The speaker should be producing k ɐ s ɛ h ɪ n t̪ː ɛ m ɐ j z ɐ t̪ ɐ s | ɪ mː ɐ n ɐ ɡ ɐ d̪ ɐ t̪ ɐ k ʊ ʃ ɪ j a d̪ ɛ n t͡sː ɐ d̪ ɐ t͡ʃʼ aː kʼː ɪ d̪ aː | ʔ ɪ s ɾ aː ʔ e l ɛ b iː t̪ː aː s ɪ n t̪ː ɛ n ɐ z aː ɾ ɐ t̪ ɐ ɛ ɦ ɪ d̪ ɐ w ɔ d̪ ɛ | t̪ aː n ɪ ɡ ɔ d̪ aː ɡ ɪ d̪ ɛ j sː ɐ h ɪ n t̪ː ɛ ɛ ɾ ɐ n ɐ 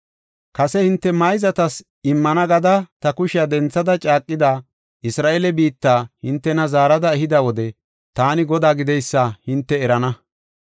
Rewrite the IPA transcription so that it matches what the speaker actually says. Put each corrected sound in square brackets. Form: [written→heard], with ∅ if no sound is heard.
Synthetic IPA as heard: k ɐ s ɛ h ɪ n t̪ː ɛ m ɐ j z ɐ t̪ ɐ s | ɪ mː ɐ n ɐ ɡ ɐ d̪ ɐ t̪ ɐ k ʊ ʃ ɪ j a d̪ ɛ n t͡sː ɐ d̪ ɐ t͡ʃʼ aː kʼː ɪ d̪ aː | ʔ ɪ s ɾ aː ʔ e l ɛ b iː t̪ː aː [s→h] ɪ n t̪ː ɛ n ɐ z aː ɾ ɐ [t̪→d̪] ɐ ɛ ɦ ɪ d̪ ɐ w ɔ d̪ ɛ | t̪ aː n ɪ ɡ ɔ d̪ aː ɡ ɪ d̪ ɛ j sː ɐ h ɪ n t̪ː ɛ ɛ ɾ ɐ n ɐ